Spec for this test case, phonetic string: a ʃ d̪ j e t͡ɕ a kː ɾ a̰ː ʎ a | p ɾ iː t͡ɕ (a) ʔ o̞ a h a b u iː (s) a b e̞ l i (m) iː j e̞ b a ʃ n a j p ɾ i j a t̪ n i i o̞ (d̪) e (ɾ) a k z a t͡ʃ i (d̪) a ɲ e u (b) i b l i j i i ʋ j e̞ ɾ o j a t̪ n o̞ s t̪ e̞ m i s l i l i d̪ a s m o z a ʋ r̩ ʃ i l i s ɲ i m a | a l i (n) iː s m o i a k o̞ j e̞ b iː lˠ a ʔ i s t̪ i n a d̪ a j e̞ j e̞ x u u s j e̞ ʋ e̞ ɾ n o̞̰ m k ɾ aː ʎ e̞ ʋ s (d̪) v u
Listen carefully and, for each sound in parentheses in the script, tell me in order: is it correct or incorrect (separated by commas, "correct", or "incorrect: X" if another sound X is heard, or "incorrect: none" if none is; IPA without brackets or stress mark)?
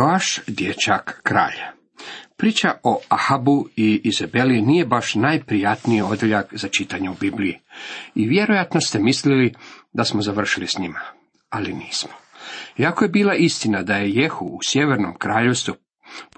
correct, incorrect: z, incorrect: n, correct, incorrect: ʎ, incorrect: t̪, correct, correct, incorrect: t̪